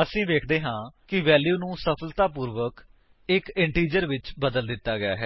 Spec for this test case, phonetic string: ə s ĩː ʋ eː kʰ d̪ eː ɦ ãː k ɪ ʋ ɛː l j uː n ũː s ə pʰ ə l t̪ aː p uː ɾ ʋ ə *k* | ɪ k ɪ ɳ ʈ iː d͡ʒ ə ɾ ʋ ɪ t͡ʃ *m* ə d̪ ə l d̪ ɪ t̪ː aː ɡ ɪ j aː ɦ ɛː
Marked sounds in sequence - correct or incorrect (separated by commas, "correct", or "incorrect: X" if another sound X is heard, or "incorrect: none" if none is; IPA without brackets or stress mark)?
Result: correct, incorrect: b